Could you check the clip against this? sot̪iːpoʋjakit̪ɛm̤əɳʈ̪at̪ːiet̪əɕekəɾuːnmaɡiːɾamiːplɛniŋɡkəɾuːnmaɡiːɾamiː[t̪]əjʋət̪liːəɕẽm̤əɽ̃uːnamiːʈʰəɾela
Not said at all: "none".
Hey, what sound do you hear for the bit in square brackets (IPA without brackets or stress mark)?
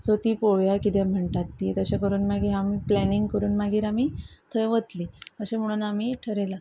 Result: t̪ʰ